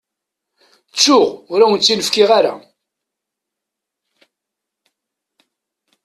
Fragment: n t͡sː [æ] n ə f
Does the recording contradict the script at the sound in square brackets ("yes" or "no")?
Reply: yes